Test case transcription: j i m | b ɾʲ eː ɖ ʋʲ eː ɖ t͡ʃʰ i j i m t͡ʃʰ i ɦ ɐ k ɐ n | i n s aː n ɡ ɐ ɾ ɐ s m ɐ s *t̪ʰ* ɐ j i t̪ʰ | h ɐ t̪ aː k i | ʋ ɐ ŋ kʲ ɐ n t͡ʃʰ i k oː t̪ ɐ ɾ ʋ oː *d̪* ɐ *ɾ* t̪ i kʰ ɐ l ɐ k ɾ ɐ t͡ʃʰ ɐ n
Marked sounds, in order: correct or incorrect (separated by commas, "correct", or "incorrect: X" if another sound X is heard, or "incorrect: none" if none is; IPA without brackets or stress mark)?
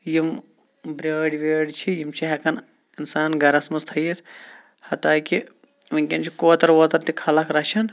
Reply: correct, incorrect: t̪, correct